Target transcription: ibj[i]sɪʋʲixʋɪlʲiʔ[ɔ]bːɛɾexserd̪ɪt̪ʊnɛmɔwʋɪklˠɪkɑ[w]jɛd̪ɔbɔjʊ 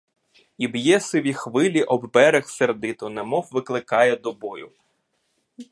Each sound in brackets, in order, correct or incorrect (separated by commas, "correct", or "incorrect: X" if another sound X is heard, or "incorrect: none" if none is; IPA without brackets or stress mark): incorrect: ɛ, correct, incorrect: none